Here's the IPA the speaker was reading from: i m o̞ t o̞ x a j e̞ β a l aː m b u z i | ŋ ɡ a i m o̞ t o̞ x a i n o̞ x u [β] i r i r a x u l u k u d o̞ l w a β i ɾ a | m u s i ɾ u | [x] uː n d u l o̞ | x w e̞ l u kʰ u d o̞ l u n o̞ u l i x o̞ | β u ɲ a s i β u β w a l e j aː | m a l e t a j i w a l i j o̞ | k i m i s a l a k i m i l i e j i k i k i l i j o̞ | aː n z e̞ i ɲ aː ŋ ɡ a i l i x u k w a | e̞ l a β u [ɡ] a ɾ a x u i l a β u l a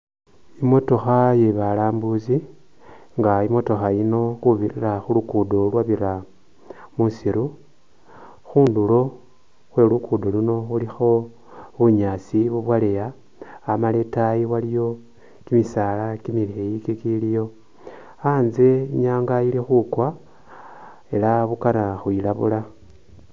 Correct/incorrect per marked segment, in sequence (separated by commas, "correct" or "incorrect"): correct, correct, incorrect